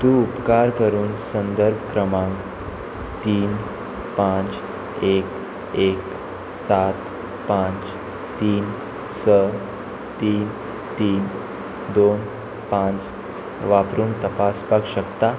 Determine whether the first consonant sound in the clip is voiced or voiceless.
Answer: voiceless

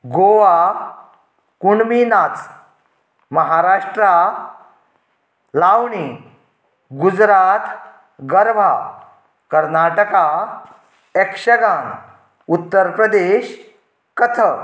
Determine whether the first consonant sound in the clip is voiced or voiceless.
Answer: voiced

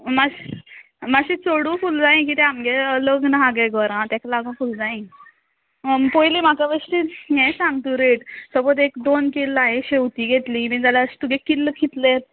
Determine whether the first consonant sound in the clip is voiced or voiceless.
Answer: voiced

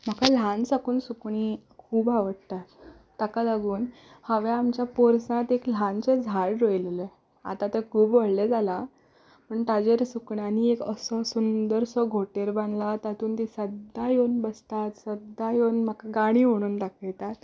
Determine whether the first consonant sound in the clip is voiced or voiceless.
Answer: voiced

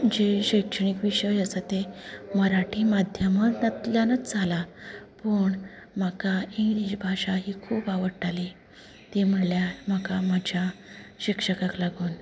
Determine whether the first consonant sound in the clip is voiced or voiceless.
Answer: voiced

